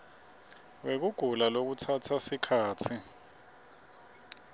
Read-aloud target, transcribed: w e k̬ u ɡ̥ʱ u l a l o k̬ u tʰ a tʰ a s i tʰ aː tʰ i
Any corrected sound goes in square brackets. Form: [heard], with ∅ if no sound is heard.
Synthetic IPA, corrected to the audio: w e k̬ u ɡ̥ʱ u l a l o k̬ u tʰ a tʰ a s i [kʰ] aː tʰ i